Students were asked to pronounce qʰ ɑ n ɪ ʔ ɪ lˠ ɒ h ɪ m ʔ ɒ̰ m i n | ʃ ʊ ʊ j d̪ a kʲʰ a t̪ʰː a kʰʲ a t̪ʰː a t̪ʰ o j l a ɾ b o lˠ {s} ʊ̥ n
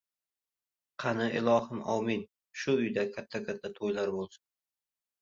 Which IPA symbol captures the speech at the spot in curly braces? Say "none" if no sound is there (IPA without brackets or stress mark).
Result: s